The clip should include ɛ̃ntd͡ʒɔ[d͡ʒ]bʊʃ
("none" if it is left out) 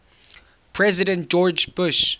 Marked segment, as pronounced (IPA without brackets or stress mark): d͡ʒ